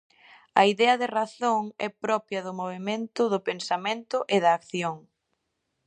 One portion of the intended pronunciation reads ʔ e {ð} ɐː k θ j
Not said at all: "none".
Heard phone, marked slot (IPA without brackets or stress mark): ð